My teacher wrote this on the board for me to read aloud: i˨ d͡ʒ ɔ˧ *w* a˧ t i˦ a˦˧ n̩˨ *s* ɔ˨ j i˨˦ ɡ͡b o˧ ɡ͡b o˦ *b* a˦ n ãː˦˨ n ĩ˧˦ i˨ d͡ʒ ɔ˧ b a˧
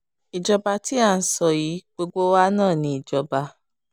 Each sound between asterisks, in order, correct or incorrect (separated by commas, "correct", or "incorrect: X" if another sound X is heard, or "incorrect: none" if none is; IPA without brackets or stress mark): incorrect: b, correct, incorrect: w